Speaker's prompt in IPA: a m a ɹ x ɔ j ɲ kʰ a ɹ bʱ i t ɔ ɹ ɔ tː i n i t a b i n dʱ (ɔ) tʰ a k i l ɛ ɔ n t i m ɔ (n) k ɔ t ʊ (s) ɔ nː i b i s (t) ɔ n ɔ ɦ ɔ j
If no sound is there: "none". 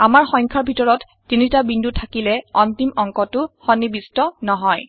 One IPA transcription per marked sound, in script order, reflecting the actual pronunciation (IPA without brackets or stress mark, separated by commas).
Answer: u, ŋ, x, t